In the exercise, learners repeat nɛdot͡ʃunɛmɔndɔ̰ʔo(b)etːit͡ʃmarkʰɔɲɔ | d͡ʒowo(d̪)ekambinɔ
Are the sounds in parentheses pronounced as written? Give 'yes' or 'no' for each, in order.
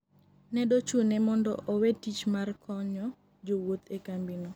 no, no

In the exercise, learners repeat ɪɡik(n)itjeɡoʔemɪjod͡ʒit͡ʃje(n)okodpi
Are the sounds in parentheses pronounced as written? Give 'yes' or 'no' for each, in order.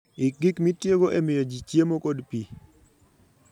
no, no

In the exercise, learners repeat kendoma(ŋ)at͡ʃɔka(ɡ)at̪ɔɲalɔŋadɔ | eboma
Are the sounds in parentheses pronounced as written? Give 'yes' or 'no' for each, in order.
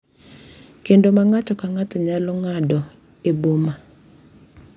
yes, no

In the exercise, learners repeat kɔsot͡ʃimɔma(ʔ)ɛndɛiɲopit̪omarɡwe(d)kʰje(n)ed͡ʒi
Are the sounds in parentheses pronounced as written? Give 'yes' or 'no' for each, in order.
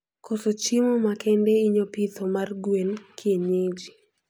no, no, no

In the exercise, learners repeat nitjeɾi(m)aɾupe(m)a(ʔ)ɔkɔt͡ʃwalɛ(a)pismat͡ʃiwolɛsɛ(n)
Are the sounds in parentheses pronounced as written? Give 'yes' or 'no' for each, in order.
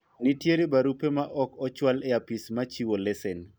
no, yes, yes, yes, yes

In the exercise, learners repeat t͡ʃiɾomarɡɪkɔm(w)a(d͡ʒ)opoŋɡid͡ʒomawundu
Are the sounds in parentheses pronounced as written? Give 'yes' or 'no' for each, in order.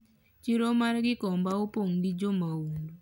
no, no

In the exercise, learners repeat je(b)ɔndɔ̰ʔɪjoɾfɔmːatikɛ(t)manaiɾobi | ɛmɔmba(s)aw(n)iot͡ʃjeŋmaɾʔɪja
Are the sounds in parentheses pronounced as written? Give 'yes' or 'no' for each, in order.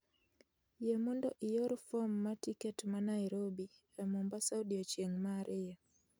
no, yes, yes, no

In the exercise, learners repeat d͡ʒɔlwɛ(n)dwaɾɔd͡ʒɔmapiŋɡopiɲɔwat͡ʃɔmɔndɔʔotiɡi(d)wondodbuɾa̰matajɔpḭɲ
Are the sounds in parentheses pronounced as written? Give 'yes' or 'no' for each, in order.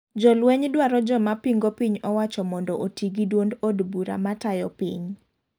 no, yes

